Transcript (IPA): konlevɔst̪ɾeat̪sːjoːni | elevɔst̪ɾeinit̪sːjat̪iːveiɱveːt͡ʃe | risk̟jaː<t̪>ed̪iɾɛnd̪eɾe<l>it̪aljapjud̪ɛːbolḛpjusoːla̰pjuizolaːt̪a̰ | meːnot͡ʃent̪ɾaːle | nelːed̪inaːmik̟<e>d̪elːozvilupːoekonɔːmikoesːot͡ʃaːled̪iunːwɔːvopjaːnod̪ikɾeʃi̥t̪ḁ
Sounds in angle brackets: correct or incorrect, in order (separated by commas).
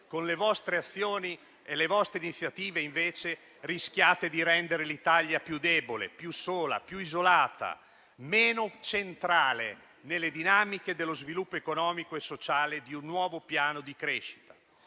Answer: correct, correct, correct